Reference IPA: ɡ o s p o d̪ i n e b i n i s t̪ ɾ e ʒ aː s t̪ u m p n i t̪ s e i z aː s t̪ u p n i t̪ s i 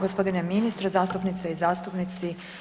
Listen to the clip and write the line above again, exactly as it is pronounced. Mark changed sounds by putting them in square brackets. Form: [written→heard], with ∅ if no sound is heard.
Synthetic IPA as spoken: ɡ o s p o d̪ i n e [b→m] i n i s t̪ ɾ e [ʒ→z] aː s t̪ u [m→∅] p n i t̪ s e i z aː s t̪ u p n i t̪ s i

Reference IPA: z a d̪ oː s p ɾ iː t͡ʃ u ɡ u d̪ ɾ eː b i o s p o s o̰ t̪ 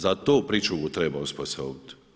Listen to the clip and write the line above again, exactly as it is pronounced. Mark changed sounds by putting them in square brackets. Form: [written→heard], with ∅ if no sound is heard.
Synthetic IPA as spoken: z a [d̪→t̪] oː [s→∅] p ɾ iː t͡ʃ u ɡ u [d̪→t̪] ɾ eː b [i→a] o s p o s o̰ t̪

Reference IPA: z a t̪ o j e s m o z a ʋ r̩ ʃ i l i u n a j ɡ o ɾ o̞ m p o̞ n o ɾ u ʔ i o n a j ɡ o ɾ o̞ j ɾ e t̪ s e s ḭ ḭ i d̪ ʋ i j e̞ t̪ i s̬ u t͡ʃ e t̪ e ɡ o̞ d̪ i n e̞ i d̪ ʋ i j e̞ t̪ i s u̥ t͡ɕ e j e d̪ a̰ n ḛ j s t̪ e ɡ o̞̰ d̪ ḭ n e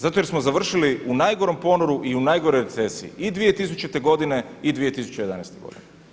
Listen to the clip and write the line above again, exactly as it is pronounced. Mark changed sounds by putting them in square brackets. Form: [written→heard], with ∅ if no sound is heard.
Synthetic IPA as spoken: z a t̪ o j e s m o z a ʋ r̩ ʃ i l i u n a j ɡ o ɾ o̞ m p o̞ n o ɾ u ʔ i [o→u] n a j ɡ o ɾ o̞ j ɾ e t̪ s e s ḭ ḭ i d̪ ʋ i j e̞ t̪ i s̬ u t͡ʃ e t̪ e ɡ o̞ d̪ i n e̞ i d̪ ʋ i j e̞ t̪ i s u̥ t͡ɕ e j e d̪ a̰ n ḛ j s t̪ e ɡ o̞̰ d̪ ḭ n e

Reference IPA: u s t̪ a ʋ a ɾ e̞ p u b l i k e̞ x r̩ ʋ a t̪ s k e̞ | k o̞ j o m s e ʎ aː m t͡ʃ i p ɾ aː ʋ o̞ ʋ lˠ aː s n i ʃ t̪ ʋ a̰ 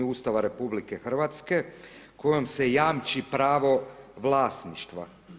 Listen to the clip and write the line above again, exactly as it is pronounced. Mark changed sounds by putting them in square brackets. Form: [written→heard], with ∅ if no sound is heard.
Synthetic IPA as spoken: u s t̪ a ʋ a ɾ e̞ p u b l i k e̞ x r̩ ʋ a t̪ s k e̞ | k o̞ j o m s e [ʎ→j] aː m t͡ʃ i p ɾ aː ʋ o̞ ʋ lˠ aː s n i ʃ t̪ ʋ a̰

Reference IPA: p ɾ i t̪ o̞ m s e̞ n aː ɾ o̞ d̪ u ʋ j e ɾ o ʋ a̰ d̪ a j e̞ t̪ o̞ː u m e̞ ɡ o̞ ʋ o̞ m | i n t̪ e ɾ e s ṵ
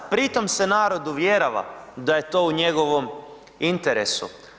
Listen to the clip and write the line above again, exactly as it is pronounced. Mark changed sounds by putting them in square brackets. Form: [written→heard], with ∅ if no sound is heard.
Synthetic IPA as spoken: p ɾ i t̪ o̞ m s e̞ n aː ɾ o̞ d̪ u ʋ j e ɾ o ʋ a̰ d̪ a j e̞ t̪ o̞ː u [m→ɲ] e̞ ɡ o̞ ʋ o̞ m | i n t̪ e ɾ e s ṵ

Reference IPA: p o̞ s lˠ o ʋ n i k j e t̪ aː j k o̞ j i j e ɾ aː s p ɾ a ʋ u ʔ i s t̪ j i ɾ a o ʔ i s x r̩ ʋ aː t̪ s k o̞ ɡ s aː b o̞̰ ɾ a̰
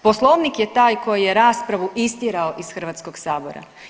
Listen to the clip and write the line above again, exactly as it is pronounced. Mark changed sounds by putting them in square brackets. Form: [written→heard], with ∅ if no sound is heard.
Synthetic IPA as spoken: p o̞ s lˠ o ʋ n i k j e t̪ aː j k o̞ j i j e ɾ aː s p ɾ a ʋ u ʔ i s t̪ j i ɾ a o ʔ i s x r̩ ʋ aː t̪ s k o̞ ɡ s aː b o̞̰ ɾ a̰

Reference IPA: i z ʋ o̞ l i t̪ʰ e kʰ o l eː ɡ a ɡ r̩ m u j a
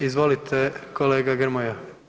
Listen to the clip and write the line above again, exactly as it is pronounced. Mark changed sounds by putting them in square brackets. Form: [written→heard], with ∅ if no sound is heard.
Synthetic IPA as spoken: i z ʋ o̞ l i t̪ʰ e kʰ o l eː ɡ a ɡ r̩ m [u→o] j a

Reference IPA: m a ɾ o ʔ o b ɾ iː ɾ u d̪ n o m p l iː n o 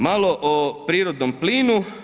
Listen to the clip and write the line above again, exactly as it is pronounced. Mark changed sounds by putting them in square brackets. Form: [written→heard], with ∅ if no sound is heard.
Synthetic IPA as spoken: m a [ɾ→l] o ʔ o [b→p] ɾ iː ɾ [u→o] d̪ n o m p l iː n [o→u]

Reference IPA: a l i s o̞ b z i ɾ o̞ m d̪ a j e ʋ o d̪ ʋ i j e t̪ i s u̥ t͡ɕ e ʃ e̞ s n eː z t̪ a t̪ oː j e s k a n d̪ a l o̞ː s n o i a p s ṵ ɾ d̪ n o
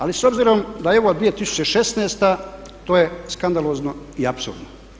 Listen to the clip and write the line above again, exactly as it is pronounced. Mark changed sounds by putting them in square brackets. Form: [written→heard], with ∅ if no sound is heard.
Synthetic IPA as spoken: a l i s o̞ b z i ɾ o̞ m d̪ a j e ʋ o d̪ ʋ i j e t̪ i s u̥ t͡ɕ e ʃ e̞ s n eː [z→s] t̪ a t̪ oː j e s k a n d̪ a l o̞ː [s→z] n o i a p s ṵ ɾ d̪ n o

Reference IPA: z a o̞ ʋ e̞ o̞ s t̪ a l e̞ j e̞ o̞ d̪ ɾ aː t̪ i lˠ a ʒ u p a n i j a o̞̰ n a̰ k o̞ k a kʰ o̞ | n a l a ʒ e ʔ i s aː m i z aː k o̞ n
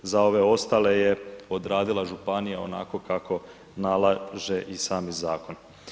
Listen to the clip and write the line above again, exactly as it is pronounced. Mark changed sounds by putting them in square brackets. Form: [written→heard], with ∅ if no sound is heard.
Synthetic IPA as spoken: z a o̞ ʋ e̞ o̞ s t̪ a l e̞ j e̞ o̞ d̪ ɾ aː [t̪→d̪] i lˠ a ʒ u p a n i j a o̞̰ n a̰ k o̞ k a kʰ o̞ | n a l a ʒ e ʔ i s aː m i z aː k o̞ n

